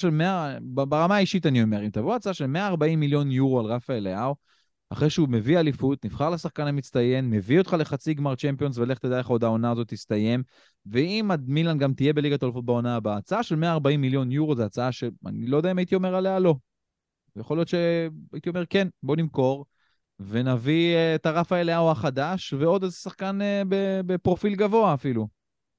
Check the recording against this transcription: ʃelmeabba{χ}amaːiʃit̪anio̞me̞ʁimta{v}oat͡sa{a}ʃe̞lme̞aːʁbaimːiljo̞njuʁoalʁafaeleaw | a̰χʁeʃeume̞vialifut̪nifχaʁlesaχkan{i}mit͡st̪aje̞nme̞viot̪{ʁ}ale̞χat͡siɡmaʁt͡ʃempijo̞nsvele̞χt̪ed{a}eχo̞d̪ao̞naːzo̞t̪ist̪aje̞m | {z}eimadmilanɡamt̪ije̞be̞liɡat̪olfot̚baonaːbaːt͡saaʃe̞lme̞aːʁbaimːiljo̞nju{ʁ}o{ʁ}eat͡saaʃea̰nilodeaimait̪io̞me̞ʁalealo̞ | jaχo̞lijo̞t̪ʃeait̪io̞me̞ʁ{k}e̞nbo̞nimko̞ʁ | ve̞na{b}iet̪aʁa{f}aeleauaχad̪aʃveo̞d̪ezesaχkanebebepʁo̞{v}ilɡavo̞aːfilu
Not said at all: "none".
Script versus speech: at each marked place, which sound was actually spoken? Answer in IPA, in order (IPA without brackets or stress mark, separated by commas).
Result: ʁ, v, a, a, χ, a, v, ʁ, z, k, v, f, f